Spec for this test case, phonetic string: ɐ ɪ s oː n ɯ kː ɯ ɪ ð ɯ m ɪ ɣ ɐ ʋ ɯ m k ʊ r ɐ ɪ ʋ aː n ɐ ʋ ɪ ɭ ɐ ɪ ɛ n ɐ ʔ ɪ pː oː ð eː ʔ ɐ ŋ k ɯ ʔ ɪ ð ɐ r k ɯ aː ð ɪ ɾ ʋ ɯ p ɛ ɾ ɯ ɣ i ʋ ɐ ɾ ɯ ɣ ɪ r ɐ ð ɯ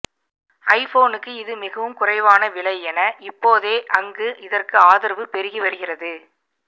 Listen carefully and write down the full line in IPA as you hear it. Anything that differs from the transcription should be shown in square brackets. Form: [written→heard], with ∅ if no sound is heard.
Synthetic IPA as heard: ɐ ɪ [s→f] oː n ɯ kː ɯ ɪ ð ɯ m ɪ ɣ ɐ ʋ ɯ m k ʊ r ɐ ɪ ʋ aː n ɐ ʋ ɪ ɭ ɐ ɪ ɛ n ɐ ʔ ɪ pː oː ð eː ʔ ɐ ŋ [k→ɡ] ɯ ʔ ɪ ð ɐ r k ɯ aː ð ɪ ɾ ʋ ɯ p ɛ ɾ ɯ ɣ i ʋ ɐ ɾ ɯ ɣ ɪ r ɐ ð ɯ

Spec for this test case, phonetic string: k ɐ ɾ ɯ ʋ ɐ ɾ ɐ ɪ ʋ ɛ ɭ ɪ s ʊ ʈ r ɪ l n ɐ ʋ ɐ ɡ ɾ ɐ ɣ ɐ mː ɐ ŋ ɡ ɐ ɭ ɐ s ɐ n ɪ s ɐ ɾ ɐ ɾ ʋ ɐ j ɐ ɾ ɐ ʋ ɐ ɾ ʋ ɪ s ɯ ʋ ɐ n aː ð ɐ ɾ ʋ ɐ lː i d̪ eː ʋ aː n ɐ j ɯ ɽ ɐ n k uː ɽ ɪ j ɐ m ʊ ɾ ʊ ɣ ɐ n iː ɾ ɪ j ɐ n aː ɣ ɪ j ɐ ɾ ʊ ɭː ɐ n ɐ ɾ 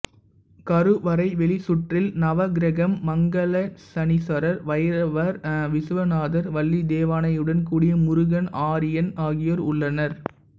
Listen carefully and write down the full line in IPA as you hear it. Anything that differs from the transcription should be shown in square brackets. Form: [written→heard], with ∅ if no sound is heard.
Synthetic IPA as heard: k ɐ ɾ ɯ ʋ ɐ ɾ ɐ ɪ ʋ ɛ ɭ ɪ s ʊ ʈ r ɪ l n ɐ ʋ ɐ ɡ ɾ ɐ ɣ ɐ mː ɐ ŋ ɡ ɐ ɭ ɐ s ɐ n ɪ s ɐ ɾ ɐ ɾ ʋ ɐ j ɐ ɾ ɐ ʋ ɐ ɾ ʋ ɪ s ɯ ʋ ɐ n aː ð ɐ ɾ ʋ ɐ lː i d̪ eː ʋ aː n ɐ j ɯ ɽ ɐ n k uː ɽ ɪ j ɐ m ʊ ɾ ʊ ɣ ɐ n [iː→aː] ɾ ɪ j ɐ n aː ɣ ɪ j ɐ ɾ ʊ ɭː ɐ n ɐ ɾ

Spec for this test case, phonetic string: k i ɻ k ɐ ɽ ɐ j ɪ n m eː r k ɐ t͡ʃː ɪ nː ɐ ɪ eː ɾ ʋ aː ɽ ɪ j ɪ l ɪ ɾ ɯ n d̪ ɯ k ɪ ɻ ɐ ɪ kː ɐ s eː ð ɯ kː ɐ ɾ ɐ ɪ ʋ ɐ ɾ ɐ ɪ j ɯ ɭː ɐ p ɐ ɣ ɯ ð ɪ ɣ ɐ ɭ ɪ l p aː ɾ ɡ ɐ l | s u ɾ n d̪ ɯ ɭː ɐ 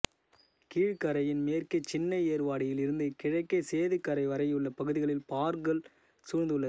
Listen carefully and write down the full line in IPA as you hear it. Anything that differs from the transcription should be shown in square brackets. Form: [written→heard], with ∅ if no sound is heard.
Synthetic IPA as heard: k [i→iː] ɻ k ɐ [ɽ→ɾ] ɐ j ɪ n m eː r k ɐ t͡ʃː ɪ nː ɐ ɪ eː ɾ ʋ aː ɽ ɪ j ɪ l ɪ ɾ ɯ n d̪ ɯ k ɪ ɻ ɐ ɪ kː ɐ s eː ð ɯ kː ɐ ɾ ɐ ɪ ʋ ɐ ɾ ɐ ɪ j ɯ ɭː ɐ p ɐ ɣ ɯ ð ɪ ɣ ɐ ɭ ɪ l p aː ɾ ɡ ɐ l | s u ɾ n d̪ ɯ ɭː ɐ

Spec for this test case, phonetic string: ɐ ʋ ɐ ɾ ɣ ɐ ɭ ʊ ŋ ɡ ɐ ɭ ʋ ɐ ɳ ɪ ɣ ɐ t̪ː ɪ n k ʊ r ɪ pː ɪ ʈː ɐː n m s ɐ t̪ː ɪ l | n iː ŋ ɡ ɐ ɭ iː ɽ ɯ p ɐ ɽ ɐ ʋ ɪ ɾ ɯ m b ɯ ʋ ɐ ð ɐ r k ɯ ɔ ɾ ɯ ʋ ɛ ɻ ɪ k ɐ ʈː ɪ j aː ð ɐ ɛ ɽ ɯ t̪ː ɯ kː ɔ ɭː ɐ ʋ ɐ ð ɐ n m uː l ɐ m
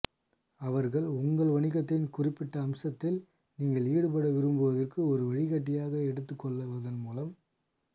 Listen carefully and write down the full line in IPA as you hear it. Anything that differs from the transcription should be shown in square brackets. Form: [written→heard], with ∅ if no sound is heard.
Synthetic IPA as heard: ɐ ʋ ɐ ɾ ɣ ɐ ɭ ʊ ŋ ɡ ɐ ɭ ʋ ɐ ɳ ɪ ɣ ɐ t̪ː ɪ n k ʊ r ɪ pː ɪ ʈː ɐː [n→∅] m s ɐ t̪ː ɪ l | n iː ŋ ɡ ɐ ɭ iː ɽ ɯ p ɐ ɽ ɐ ʋ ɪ ɾ ɯ m b ɯ ʋ ɐ ð ɐ r k ɯ ɔ ɾ ɯ ʋ ɛ ɻ ɪ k ɐ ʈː ɪ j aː [ð→ɣ] ɐ ɛ ɽ ɯ t̪ː ɯ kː ɔ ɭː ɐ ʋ ɐ ð ɐ n m uː l ɐ m

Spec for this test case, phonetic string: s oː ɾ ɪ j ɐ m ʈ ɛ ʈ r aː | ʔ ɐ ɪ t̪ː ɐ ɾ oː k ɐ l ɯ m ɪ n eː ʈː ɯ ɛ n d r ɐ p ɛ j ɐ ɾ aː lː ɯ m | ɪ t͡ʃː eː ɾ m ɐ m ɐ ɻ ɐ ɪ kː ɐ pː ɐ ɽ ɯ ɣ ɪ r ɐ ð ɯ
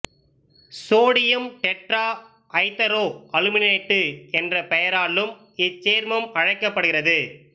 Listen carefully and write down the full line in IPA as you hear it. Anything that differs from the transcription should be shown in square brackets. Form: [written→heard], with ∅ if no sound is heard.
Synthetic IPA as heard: s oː [ɾ→ɽ] ɪ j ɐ m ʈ ɛ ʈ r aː | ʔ ɐ ɪ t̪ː ɐ ɾ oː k ɐ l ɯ m ɪ n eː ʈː ɯ ɛ n d r ɐ p ɛ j ɐ ɾ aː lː ɯ m | ɪ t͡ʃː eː ɾ m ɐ m ɐ ɻ ɐ ɪ kː ɐ pː ɐ ɽ ɯ ɣ ɪ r ɐ ð ɯ

